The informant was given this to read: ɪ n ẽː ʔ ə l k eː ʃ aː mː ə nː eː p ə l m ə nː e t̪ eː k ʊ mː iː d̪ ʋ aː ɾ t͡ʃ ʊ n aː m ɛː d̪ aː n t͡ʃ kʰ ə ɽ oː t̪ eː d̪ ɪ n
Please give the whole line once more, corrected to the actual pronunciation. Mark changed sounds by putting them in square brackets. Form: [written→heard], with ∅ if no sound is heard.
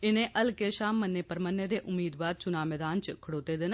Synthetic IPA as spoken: ɪ n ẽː ʔ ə l k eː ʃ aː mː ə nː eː p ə [l→ɾ] m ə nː e [t̪→d̪] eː [k→ʔ] ʊ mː iː d̪ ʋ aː ɾ t͡ʃ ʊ n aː m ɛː d̪ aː n t͡ʃ kʰ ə ɽ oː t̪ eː d̪ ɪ n